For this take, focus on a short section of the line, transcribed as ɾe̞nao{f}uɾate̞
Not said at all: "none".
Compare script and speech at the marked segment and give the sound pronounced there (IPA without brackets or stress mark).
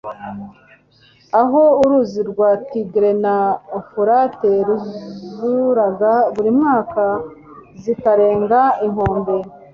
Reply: f